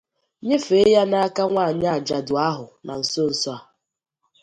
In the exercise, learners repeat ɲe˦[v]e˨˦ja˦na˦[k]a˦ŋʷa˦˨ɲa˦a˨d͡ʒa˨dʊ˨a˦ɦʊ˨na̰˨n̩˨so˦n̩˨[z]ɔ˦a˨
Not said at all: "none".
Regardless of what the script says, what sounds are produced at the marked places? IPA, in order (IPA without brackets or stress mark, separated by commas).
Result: f, k, s